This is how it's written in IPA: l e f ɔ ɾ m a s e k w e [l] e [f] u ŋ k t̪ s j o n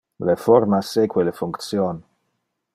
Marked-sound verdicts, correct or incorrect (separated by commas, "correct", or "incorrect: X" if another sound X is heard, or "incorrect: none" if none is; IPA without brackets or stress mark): correct, correct